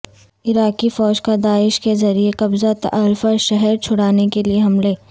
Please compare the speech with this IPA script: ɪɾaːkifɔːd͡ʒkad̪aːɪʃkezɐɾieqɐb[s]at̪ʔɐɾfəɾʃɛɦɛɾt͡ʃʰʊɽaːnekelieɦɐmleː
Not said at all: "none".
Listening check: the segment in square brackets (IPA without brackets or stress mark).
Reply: z